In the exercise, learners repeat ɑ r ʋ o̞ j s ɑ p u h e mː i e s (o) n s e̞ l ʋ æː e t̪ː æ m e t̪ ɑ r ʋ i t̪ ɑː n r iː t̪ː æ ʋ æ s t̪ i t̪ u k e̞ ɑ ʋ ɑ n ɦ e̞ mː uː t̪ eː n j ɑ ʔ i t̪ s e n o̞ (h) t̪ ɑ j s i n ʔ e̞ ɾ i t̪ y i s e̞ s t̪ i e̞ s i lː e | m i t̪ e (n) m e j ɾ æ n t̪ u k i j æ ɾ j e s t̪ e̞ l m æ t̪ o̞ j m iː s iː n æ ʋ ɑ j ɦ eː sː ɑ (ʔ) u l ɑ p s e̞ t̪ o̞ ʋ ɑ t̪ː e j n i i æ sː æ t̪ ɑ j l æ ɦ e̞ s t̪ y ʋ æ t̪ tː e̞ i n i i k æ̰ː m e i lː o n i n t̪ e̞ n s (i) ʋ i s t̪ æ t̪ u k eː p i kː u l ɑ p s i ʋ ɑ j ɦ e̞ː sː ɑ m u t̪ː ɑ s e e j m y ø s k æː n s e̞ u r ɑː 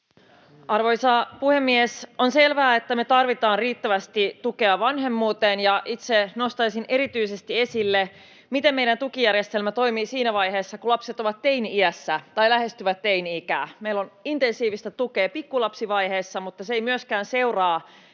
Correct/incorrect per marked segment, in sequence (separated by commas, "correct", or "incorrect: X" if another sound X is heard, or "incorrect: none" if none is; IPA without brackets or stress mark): correct, incorrect: s, incorrect: m, incorrect: k, incorrect: iː